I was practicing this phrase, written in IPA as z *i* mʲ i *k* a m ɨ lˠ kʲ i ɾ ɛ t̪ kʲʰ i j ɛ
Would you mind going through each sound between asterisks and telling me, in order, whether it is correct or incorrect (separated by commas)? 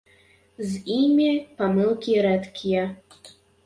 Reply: correct, incorrect